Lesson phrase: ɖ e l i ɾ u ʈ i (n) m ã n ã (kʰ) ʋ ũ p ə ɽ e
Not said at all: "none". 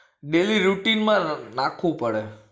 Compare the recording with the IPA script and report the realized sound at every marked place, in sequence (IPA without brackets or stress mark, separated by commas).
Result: n, kʰ